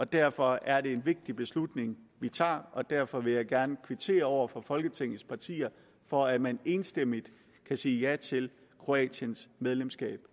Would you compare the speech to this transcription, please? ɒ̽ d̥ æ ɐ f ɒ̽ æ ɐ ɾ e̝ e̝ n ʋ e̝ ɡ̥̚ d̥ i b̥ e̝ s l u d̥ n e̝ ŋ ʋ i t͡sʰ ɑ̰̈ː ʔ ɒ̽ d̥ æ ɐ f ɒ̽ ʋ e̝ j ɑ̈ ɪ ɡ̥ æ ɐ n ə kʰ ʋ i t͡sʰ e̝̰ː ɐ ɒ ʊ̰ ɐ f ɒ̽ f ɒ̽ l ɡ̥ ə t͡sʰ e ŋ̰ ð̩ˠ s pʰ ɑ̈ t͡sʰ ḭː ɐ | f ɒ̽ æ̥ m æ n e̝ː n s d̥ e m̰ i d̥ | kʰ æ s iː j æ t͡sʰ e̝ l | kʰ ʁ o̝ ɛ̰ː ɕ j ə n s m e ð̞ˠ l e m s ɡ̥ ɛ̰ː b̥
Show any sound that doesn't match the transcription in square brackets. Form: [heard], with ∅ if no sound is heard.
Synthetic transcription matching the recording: ɒ̽ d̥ æ ɐ f ɒ̽ æ ɐ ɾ e̝ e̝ n ʋ e̝ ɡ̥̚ d̥ i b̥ e̝ s l u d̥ n e̝ ŋ ʋ i t͡sʰ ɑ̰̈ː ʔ ɒ̽ d̥ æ ɐ f ɒ̽ ʋ e̝ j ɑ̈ ɪ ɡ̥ æ ɐ n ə kʰ ʋ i t͡sʰ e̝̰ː ɐ ɒ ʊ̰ ɐ f ɒ̽ f ɒ̽ l ɡ̥ ə t͡sʰ e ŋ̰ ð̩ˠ s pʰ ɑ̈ t͡sʰ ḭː ɐ | f ɒ̽ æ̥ m æ n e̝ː n s d̥ e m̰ i d̥ | kʰ æ s iː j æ t͡sʰ e̝ l | kʰ ʁ o̝ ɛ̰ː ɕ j ə n s m e ð̞ˠ l e m s ɡ̥ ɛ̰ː b̥

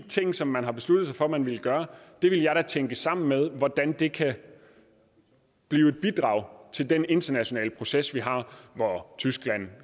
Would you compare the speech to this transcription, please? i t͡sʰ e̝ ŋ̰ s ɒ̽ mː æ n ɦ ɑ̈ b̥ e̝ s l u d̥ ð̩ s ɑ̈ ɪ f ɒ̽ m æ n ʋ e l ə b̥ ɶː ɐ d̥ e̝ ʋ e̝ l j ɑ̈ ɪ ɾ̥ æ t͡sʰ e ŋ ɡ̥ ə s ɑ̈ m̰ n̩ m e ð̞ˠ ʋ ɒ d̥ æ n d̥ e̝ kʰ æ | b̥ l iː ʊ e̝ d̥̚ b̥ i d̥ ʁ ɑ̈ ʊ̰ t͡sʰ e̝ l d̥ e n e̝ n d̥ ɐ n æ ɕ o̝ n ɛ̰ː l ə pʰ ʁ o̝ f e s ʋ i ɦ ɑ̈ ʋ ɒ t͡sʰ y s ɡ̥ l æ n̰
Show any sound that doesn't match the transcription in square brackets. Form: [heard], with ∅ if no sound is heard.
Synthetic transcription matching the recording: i t͡sʰ e̝ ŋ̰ s ɒ̽ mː æ n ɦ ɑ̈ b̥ e̝ s l u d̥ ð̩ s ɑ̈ ɪ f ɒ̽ m æ n ʋ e l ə [ɡ̥] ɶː ɐ d̥ e̝ ʋ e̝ l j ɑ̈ ɪ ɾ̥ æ t͡sʰ e ŋ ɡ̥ ə s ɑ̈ m̰ n̩ m e ð̞ˠ ʋ ɒ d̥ æ n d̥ e̝ kʰ æ | b̥ l iː ʊ e̝ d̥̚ b̥ i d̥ ʁ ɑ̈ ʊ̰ t͡sʰ e̝ l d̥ e n e̝ n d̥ ɐ n æ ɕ o̝ n ɛ̰ː l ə pʰ ʁ o̝ [s] e s ʋ i ɦ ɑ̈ ʋ ɒ t͡sʰ y s ɡ̥ l æ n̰

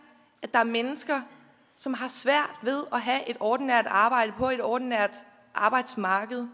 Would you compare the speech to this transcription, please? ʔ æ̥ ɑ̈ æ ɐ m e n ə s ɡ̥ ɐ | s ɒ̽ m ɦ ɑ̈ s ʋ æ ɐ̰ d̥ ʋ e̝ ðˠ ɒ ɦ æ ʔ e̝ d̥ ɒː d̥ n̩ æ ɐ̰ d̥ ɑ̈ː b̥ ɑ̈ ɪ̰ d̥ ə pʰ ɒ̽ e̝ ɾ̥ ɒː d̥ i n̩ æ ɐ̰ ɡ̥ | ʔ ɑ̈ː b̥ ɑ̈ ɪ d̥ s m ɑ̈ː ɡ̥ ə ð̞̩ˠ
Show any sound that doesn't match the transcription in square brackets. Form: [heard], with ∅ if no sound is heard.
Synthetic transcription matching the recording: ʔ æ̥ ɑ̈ æ ɐ m e n ə s ɡ̥ ɐ | s ɒ̽ m ɦ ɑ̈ s ʋ æ ɐ̰ d̥ ʋ e̝ ðˠ ɒ ɦ æ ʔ e̝ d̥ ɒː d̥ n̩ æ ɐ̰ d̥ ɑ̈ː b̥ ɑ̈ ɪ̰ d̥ ə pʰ ɒ̽ e̝ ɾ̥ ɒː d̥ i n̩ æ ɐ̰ [d̥] | ʔ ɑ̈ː b̥ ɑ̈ ɪ d̥ s m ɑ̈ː ɡ̥ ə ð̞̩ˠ

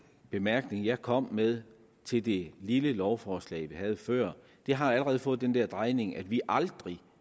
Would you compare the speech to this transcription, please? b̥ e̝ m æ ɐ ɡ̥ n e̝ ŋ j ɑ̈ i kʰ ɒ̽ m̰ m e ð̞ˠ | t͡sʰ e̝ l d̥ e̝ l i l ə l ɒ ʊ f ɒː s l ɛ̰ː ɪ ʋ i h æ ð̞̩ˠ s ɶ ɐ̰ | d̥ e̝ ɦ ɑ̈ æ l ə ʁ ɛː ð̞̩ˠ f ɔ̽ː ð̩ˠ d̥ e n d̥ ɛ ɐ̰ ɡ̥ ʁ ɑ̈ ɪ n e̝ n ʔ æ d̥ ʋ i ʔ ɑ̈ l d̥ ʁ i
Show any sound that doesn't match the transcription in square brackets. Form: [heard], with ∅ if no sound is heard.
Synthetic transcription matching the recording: b̥ e̝ m æ ɐ ɡ̥ n e̝ ŋ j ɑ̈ [ɪ] kʰ ɒ̽ m̰ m e ð̞ˠ | t͡sʰ e̝ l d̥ e̝ l i l ə l ɒ ʊ f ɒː s l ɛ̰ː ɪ ʋ i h æ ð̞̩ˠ [f] ɶ ɐ̰ | d̥ e̝ ɦ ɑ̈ æ l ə ʁ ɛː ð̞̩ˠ f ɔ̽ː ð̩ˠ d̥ e n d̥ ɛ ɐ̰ [d̥] ʁ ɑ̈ ɪ n e̝ [ŋ] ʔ æ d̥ ʋ i ʔ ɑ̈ l d̥ ʁ i

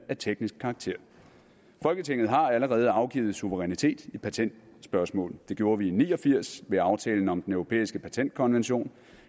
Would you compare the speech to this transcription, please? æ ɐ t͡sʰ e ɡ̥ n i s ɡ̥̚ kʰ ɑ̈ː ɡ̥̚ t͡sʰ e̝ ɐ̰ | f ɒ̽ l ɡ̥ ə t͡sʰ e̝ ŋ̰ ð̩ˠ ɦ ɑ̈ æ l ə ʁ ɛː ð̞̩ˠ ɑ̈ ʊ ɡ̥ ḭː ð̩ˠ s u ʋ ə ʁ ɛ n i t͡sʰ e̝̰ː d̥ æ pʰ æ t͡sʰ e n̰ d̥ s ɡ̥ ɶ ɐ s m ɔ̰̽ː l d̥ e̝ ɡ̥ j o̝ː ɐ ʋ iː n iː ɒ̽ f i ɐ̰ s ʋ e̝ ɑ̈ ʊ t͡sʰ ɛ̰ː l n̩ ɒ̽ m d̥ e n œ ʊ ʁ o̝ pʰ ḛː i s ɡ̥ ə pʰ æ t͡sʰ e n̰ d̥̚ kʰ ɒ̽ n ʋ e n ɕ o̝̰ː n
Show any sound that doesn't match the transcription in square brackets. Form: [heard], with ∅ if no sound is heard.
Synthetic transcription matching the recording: æ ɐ t͡sʰ e ɡ̥ n i s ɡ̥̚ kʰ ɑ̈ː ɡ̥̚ t͡sʰ e̝ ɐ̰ | f ɒ̽ l ɡ̥ ə t͡sʰ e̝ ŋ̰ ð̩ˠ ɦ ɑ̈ æ l ə ʁ ɛː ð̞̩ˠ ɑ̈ ʊ ɡ̥ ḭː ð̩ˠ s u ʋ ə ʁ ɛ n i t͡sʰ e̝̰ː d̥ [i] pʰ æ t͡sʰ e n̰ d̥ s [b̥] ɶ ɐ s m ɔ̰̽ː l d̥ e̝ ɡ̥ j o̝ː ɐ ʋ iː n iː ɒ̽ f i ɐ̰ s ʋ e̝ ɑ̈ ʊ t͡sʰ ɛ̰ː l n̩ ɒ̽ m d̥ e n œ ʊ ʁ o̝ pʰ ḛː i s ɡ̥ ə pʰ æ t͡sʰ e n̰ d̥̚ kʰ ɒ̽ n ʋ e n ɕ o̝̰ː n

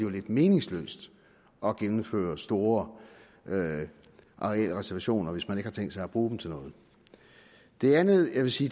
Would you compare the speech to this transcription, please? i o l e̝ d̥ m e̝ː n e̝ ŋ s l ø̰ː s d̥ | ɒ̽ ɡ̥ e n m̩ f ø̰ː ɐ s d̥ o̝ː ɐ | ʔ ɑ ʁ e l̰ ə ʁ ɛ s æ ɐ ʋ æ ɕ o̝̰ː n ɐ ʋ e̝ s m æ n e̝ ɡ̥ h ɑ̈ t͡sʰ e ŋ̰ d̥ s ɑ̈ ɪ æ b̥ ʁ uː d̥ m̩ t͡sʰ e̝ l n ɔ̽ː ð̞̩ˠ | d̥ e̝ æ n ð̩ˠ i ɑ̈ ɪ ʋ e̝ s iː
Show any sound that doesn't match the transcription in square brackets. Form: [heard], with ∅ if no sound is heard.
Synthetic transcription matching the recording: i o l e̝ d̥ m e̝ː n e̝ ŋ s l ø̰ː s d̥ | ɒ̽ ɡ̥ e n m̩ f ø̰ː ɐ s d̥ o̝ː ɐ | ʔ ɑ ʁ e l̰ ə ʁ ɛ s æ ɐ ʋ æ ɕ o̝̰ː n ɐ ʋ e̝ s m æ n e̝ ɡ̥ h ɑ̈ t͡sʰ e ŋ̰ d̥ s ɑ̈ ɪ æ b̥ ʁ uː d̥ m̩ t͡sʰ e̝ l n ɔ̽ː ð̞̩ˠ | d̥ e̝ æ n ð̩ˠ [j] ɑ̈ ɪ ʋ e̝ s iː

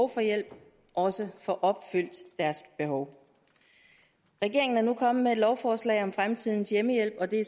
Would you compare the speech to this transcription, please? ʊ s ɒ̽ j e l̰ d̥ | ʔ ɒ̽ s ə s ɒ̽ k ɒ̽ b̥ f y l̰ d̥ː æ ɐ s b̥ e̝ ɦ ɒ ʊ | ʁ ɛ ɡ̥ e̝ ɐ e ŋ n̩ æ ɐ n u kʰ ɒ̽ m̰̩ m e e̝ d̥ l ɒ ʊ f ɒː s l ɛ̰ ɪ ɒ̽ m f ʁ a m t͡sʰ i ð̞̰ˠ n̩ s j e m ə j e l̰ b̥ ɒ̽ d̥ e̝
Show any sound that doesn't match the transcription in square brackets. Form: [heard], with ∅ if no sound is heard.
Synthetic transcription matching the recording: ʊ [f] ɒ̽ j e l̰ [b̥] | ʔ ɒ̽ s ə [f] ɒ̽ [ʔ] ɒ̽ b̥ f y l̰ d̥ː æ ɐ s b̥ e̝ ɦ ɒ ʊ | ʁ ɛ ɡ̥ e̝ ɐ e ŋ n̩ æ ɐ n u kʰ ɒ̽ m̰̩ m e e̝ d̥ l ɒ ʊ f ɒː s l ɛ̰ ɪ ɒ̽ m f ʁ a m t͡sʰ i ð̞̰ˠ n̩ s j e m ə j e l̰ b̥ ɒ̽ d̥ e̝

